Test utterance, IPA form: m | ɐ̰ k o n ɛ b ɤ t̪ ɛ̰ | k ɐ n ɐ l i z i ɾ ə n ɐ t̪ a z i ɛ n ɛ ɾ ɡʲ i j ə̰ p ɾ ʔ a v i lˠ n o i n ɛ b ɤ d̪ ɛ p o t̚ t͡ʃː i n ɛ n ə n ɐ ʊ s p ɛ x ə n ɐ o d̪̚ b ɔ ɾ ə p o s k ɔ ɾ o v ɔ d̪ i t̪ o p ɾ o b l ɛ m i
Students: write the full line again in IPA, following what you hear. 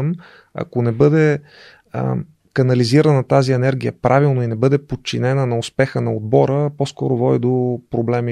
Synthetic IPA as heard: m | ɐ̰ k o n ɛ b ɤ d̪ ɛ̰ | k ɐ n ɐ l i z i ɾ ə n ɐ t̪ a z i ɛ n ɛ ɾ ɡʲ i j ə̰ p ɾ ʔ a v i lˠ n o i n ɛ b ɤ d̪ ɛ p o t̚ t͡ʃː i n ɛ n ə n ɐ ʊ s p ɛ x ə n ɐ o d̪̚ b ɔ ɾ ə p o s k ɔ ɾ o v ɔ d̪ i d̪ o p ɾ o b l ɛ m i